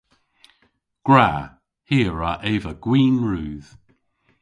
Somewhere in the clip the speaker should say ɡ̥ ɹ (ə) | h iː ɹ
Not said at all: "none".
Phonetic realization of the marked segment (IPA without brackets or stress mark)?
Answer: a